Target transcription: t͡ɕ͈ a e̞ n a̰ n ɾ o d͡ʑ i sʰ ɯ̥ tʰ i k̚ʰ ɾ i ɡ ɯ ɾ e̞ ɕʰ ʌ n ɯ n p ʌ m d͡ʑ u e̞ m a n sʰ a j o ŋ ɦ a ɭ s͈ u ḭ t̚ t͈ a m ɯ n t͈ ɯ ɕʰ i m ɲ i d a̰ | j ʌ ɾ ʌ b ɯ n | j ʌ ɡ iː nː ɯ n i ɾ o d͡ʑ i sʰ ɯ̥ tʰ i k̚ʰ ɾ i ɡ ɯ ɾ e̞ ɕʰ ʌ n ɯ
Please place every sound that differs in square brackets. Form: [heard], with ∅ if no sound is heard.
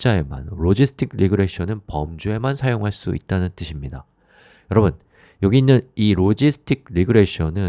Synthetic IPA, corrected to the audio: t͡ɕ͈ a e̞ [m] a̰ n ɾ o d͡ʑ i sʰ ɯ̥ tʰ i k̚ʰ ɾ i ɡ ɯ ɾ e̞ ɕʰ ʌ n ɯ n p ʌ m d͡ʑ u e̞ m a n sʰ a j o ŋ ɦ a ɭ s͈ u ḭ t̚ t͈ a [n] ɯ n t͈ ɯ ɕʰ i m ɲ i d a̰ | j ʌ ɾ ʌ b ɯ n | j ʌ ɡ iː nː ɯ n i ɾ o d͡ʑ i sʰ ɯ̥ tʰ i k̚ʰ ɾ i ɡ ɯ ɾ e̞ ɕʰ ʌ n ɯ

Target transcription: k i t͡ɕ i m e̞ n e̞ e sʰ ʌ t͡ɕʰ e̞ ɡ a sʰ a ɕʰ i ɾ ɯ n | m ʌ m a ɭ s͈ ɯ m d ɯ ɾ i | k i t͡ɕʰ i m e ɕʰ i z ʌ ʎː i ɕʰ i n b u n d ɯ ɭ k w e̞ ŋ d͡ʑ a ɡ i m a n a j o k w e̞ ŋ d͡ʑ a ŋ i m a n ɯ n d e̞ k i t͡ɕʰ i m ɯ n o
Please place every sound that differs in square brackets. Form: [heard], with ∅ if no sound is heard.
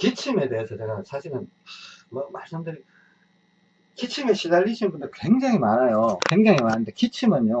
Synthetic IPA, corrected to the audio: k i [t͡ɕʰ] i m e̞ [d] e̞ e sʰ ʌ [t͡ɕ] e̞ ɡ a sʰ a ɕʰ i ɾ ɯ n | m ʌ m a ɭ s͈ ɯ m d ɯ ɾ i | k i t͡ɕʰ i m e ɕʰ i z [a] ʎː i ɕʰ i n b u n d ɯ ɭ k w e̞ ŋ d͡ʑ a [ŋ] i m a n a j o k w e̞ ŋ d͡ʑ a ŋ i m a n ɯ n d e̞ k i t͡ɕʰ i m ɯ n o

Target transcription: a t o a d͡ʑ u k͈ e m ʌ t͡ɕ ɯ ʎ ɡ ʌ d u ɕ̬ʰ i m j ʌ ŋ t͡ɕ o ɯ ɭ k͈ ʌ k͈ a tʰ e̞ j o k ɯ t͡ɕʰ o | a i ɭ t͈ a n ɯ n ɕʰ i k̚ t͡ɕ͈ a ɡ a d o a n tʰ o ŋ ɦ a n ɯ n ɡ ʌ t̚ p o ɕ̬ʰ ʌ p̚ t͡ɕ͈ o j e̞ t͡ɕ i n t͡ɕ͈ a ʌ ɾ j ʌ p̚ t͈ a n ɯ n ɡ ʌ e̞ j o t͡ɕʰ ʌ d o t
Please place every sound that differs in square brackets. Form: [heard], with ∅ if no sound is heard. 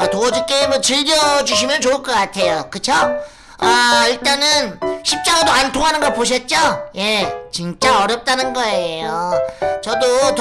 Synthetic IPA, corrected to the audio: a t o [ʌ] d͡ʑ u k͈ e m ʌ t͡ɕ ɯ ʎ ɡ ʌ [d͡ʑ] u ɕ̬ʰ i m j ʌ [n] t͡ɕ o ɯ ɭ k͈ ʌ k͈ a tʰ e̞ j o k ɯ t͡ɕʰ o | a i ɭ t͈ a n ɯ n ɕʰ i [p̚] t͡ɕ͈ a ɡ a d o a n tʰ o ŋ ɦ a n ɯ n ɡ ʌ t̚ p o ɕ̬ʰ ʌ [t̚] t͡ɕ͈ o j e̞ t͡ɕ i n t͡ɕ͈ a ʌ ɾ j ʌ p̚ t͈ a n ɯ n ɡ ʌ e̞ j o [t͡ɕ] ʌ d o t

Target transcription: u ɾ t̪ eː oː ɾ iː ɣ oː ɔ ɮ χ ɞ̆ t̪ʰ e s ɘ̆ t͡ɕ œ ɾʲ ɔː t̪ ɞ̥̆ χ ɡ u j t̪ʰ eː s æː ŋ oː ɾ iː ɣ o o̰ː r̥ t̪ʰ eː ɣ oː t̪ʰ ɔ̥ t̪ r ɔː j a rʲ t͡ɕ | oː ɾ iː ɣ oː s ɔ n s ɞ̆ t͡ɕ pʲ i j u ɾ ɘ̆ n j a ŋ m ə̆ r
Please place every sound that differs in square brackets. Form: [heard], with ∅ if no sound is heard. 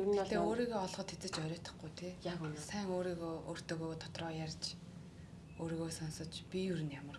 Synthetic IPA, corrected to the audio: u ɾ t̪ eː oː ɾ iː ɣ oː ɔ ɮ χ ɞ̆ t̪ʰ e [t͡s] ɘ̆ t͡ɕ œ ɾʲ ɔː t̪ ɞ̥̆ χ ɡ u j t̪ʰ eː s æː ŋ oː ɾ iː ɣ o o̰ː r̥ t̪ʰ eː ɣ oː t̪ʰ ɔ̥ t̪ r ɔː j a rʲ t͡ɕ | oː ɾ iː ɣ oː s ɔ n s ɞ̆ t͡ɕ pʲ i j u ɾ ɘ̆ n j a [∅] m ə̆ r

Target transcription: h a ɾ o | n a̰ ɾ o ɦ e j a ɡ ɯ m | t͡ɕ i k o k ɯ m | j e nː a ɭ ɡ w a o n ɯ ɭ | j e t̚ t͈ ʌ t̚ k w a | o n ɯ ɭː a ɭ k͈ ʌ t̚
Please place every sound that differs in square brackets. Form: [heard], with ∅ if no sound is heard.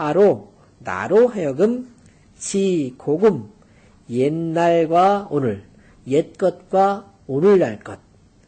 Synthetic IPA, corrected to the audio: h a ɾ o | n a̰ ɾ o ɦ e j [ʌ] ɡ ɯ m | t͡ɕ i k o [ɡ] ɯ m | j e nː a ɭ ɡ w a o n ɯ ɭ | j e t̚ [k͈] ʌ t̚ k w a | o n ɯ ɭː a ɭ k͈ ʌ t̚

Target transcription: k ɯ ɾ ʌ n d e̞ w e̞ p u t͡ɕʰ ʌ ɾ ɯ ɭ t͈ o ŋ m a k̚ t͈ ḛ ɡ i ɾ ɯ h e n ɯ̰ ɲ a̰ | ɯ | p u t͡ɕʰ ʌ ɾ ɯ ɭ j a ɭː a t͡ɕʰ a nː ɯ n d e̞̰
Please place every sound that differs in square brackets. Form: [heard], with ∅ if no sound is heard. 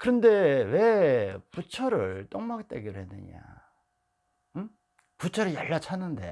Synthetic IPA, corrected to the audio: k ɯ ɾ ʌ n d e̞ w e̞ p u t͡ɕʰ ʌ ɾ ɯ ɭ t͈ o ŋ m a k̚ t͈ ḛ ɡ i ɾ ɯ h e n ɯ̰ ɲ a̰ | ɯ | p u t͡ɕʰ ʌ ɾ ɯ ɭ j a ɭː a t͡ɕʰ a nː ɯ n d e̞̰

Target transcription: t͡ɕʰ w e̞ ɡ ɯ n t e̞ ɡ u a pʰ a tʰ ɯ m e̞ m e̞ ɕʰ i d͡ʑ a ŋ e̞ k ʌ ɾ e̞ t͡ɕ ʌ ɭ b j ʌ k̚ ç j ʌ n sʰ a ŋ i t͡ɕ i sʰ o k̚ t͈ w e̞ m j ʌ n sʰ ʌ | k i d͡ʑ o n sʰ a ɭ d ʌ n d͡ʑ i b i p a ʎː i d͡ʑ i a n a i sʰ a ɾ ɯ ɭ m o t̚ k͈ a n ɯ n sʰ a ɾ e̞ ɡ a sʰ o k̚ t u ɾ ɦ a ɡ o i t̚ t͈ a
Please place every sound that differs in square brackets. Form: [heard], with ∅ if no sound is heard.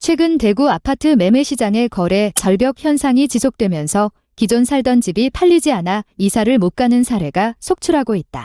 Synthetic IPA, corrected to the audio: t͡ɕʰ w e̞ ɡ ɯ n t e̞ ɡ u a pʰ a tʰ ɯ m e̞ m e̞ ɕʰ i d͡ʑ a ŋ e̞ k ʌ ɾ e̞ t͡ɕ ʌ ɭ b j ʌ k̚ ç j ʌ n sʰ a ŋ i t͡ɕ i sʰ o k̚ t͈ w e̞ m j ʌ n sʰ ʌ | k i d͡ʑ o n sʰ a ɭ d ʌ n d͡ʑ i b i [pʰ] a ʎː i d͡ʑ i a n a i sʰ a ɾ ɯ ɭ m o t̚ k͈ a n ɯ n sʰ a ɾ e̞ ɡ a sʰ o k̚ [t͡ɕʰ] u ɾ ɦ a ɡ o i t̚ t͈ a

